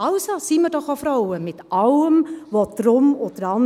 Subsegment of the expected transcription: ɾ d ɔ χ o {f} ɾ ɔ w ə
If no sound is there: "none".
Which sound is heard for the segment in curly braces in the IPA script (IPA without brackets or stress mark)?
f